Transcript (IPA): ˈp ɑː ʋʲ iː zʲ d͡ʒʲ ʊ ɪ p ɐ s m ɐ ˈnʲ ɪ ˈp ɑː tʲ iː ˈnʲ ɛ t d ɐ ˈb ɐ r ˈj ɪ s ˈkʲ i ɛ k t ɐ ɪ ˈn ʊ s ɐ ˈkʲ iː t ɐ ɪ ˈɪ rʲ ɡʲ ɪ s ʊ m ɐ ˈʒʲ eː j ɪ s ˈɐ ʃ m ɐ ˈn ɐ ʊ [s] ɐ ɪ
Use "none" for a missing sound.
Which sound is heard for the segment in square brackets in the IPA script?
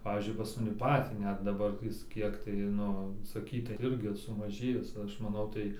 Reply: t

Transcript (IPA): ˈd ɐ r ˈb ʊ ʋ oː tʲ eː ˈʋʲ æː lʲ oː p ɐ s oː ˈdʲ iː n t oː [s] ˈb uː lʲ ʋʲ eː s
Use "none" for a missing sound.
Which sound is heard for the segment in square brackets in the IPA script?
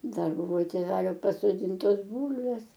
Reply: s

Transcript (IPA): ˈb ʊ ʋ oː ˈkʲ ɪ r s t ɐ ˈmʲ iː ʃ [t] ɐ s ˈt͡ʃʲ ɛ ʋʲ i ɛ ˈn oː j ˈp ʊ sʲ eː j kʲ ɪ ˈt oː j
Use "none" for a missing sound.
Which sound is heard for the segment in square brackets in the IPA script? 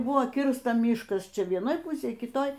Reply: k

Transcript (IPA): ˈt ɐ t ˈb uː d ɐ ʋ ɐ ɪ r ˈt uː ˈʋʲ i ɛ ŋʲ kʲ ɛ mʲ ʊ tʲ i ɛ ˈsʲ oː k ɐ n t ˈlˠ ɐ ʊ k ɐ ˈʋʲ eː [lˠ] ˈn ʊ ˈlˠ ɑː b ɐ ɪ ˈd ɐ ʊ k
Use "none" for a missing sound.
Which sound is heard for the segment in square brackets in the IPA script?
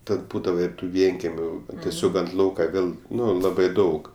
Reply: lˠ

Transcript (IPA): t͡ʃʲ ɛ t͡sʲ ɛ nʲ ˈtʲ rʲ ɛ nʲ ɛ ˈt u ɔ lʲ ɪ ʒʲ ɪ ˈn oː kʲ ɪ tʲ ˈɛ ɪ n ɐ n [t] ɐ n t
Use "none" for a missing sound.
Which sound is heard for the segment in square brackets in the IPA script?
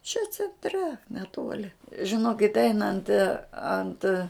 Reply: t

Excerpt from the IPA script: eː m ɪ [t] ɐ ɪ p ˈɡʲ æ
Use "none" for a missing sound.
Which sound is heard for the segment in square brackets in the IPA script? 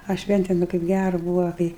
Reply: k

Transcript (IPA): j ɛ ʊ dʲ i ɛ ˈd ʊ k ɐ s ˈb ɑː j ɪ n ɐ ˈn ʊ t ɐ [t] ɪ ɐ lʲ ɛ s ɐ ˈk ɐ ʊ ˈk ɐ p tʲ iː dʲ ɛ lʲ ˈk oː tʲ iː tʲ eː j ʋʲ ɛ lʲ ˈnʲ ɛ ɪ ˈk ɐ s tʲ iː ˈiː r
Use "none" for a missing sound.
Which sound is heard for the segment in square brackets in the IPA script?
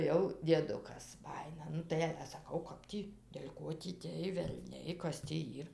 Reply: none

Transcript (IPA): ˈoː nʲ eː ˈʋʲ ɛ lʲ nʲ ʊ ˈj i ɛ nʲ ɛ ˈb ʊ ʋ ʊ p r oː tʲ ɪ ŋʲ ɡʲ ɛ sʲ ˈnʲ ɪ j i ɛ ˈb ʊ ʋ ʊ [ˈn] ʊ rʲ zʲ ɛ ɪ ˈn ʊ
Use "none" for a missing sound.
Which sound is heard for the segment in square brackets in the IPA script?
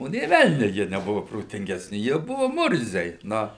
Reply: m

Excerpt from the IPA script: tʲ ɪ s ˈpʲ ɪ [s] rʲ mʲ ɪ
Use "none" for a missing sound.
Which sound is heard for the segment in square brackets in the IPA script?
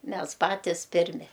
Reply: none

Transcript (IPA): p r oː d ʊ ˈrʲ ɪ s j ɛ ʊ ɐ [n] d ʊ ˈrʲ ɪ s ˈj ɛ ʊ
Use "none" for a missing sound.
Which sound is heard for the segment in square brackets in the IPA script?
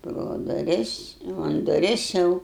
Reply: n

